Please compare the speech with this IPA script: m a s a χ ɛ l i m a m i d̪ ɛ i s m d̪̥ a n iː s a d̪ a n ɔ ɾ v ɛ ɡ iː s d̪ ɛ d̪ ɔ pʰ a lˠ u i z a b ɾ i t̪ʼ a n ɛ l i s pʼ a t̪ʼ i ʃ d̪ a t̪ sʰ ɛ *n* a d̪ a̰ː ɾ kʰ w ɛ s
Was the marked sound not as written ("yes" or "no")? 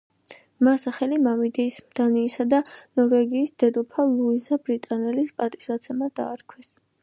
yes